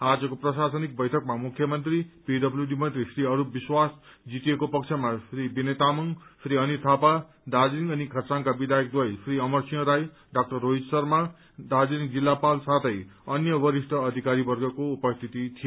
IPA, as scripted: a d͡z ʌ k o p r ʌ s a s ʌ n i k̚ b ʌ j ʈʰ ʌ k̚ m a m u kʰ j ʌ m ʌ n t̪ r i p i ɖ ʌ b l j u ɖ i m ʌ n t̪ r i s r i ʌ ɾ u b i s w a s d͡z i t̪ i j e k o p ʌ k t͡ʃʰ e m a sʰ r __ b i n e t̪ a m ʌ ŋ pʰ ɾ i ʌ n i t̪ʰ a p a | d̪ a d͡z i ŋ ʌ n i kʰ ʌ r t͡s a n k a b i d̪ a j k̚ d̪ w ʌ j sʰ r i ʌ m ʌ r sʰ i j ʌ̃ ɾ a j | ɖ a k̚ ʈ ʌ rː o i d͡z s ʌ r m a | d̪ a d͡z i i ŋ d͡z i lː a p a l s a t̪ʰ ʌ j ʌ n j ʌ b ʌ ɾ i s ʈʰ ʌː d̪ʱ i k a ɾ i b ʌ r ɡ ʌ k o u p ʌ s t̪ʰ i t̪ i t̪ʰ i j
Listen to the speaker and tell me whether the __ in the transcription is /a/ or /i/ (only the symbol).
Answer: i